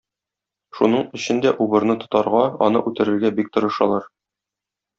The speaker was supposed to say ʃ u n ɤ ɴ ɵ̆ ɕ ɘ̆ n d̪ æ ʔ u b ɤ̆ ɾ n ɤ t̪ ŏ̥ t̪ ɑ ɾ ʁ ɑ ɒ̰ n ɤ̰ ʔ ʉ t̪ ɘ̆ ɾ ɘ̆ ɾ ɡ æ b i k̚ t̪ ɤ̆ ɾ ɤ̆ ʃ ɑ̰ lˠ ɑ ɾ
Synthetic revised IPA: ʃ u n ɤ ɴ ɵ̆ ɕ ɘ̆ n d̪ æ ʔ u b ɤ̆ ɾ n ɤ t̪ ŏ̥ t̪ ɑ ɾ ʁ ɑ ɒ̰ n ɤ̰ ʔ ʉ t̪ ɘ̆ ɾ ɘ̆ ɾ ɡ æ b i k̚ t̪ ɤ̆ ɾ ɤ̆ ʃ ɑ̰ lˠ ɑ ɾ